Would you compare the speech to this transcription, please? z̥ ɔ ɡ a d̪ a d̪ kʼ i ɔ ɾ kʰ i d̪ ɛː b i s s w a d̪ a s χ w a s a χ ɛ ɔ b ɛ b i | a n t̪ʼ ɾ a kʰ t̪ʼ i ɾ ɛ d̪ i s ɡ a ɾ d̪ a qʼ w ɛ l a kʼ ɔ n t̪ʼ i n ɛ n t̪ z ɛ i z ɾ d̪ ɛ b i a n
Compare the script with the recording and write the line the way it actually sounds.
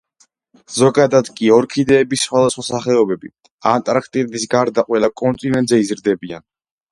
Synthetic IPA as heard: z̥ ɔ ɡ a d̪ a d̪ kʼ i ɔ ɾ kʰ i d̪ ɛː b i s χ w a d̪ a s χ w a s a χ ɛ ɔ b ɛ b i | a n t̪ʼ ɾ a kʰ t̪ʼ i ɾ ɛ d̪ i s ɡ a ɾ d̪ a qʼ w ɛ l a kʼ ɔ n t̪ʼ i n ɛ n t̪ z ɛ i z ɾ d̪ ɛ b i a n

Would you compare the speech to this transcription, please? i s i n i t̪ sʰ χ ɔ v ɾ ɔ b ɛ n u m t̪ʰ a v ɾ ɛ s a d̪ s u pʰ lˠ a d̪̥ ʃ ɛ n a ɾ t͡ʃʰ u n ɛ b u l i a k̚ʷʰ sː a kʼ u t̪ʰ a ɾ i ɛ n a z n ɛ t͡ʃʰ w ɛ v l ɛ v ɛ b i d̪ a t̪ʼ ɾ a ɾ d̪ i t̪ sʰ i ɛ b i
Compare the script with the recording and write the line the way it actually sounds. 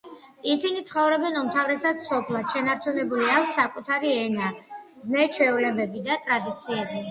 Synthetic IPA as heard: i s i n i t̪ sʰ χ ɔ v ɾ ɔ b ɛ n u m t̪ʰ a v ɾ ɛ s a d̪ s ɔ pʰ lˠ a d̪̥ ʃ ɛ n a ɾ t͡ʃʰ u n ɛ b u l i a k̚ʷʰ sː a kʼ u t̪ʰ a ɾ i ɛ n a z n ɛ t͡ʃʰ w ɛ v l ɛ b ɛ b i d̪ a t̪ʼ ɾ a d̪ i t̪ sʰ i ɛ b i

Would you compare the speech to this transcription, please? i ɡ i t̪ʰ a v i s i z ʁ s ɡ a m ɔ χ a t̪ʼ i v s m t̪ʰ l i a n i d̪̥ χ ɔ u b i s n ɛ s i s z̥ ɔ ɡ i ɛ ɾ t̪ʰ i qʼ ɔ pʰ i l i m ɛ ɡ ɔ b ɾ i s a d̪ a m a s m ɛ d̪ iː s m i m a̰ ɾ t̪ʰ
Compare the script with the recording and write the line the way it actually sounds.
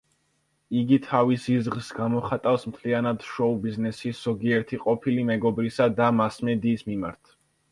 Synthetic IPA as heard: i ɡ i t̪ʰ a v i s i z ʁ s ɡ a m ɔ χ a t̪ʼ a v s m t̪ʰ l i a n a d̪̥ ʃ ɔ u b i z n ɛ s i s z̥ ɔ ɡ i ɛ ɾ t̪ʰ i qʼ ɔ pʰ i l i m ɛ ɡ ɔ b ɾ i s a d̪ a m a s m ɛ d̪ iː s m i m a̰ ɾ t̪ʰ

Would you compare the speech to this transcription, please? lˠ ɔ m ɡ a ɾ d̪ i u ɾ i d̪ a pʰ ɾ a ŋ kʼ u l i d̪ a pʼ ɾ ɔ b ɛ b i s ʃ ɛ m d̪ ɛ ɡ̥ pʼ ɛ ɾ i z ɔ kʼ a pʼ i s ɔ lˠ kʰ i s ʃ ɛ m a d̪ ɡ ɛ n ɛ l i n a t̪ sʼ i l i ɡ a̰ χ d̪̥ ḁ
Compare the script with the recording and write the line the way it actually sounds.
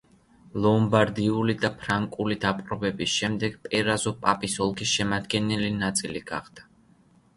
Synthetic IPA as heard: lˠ ɔ m b a ɾ d̪ i u l i d̪ a pʰ ɾ a ŋ kʼ u l i d̪ a pʼ ɾ ɔ b ɛ b i s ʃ ɛ m d̪ ɛ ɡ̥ pʼ ɛ ɾ a z ɔ pʼ a pʼ i s ɔ lˠ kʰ i s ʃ ɛ m a d̪ ɡ ɛ n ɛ l i n a t̪ sʼ i l i ɡ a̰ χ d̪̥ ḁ

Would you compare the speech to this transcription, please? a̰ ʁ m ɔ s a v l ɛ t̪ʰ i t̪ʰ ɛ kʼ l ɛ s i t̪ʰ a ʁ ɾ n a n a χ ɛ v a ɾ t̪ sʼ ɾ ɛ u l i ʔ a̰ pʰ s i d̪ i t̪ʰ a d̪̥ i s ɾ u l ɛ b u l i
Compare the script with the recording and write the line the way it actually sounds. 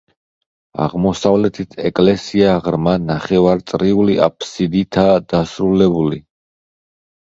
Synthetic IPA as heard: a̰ ʁ m ɔ s a v l ɛ t̪ʰ i t̪ʰ ɛ kʼ l ɛ s i a ʁ ɾ m a n a χ ɛ v a ɾ t̪ sʼ ɾ i u l i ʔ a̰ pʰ s i d̪ i t̪ʰ a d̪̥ a s ɾ u l ɛ b u l i

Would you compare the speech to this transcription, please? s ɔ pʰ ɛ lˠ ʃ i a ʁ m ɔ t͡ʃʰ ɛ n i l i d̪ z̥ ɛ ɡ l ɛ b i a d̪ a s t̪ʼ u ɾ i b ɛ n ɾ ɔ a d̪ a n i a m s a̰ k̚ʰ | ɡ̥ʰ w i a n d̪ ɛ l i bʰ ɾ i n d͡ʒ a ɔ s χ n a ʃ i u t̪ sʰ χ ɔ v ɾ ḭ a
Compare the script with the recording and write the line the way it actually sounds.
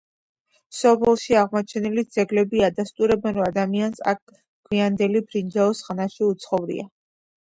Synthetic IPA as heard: s ɔ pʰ ɛ lˠ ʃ i a ʁ m ɔ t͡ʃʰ ɛ n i l i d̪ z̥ ɛ ɡ l ɛ b i a d̪ a s t̪ʼ u ɾ ɛ b ɛ n ɾ ɔ a d̪ a m i a n s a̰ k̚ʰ | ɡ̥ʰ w i a n d̪ ɛ l i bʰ ɾ i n d͡ʒ a ɔ s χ n a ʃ i u t̪ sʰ χ ɔ v ɾ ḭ a

